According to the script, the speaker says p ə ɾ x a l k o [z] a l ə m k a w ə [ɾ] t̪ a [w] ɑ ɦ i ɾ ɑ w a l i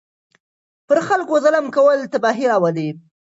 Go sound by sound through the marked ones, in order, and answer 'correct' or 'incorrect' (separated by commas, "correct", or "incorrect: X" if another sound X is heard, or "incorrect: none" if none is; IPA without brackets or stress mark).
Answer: correct, incorrect: l, incorrect: b